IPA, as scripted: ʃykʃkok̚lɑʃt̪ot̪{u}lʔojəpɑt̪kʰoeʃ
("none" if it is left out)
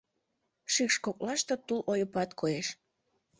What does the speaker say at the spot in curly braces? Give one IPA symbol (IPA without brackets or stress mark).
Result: u